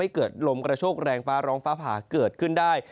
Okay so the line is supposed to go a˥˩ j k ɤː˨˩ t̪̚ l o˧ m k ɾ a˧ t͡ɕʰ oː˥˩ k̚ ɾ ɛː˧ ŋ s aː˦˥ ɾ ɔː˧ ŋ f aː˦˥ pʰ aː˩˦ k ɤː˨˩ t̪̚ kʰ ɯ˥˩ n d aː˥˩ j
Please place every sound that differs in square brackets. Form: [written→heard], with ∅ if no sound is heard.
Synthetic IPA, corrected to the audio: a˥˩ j k ɤː˨˩ t̪̚ l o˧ m k ɾ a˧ t͡ɕʰ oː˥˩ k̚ ɾ ɛː˧ ŋ [s→f] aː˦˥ ɾ [ɔː˧→ɔː˦˥] ŋ f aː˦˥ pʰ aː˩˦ k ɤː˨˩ t̪̚ kʰ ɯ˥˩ n d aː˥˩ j